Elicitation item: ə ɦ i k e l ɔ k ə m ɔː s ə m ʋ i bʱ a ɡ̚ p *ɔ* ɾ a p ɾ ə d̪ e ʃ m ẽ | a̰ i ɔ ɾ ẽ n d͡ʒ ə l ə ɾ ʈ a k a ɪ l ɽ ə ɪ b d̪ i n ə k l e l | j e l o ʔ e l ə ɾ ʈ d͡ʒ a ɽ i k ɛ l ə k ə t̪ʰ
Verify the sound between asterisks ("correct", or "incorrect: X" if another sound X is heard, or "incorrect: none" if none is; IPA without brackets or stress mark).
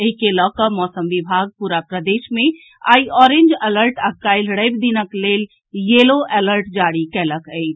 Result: incorrect: u